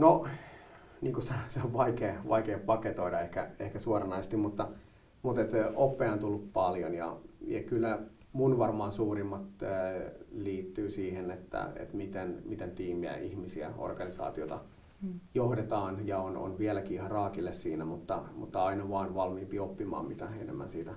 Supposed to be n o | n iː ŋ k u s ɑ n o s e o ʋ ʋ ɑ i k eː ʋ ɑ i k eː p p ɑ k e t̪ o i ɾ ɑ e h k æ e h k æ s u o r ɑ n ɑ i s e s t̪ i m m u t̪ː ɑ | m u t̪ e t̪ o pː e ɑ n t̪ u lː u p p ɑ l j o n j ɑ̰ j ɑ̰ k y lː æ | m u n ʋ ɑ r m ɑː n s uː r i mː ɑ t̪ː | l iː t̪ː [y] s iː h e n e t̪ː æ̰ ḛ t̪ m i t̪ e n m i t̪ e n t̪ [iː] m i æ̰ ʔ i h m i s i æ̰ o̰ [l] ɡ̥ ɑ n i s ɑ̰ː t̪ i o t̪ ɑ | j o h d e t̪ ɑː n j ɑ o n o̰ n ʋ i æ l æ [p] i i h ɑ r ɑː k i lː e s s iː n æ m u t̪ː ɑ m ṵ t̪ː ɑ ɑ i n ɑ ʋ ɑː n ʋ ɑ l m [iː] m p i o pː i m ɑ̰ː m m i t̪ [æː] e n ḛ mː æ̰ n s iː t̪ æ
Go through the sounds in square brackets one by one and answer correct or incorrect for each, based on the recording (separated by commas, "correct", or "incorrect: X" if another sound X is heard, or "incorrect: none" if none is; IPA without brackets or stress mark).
incorrect: yː, correct, incorrect: r, incorrect: k, correct, incorrect: æ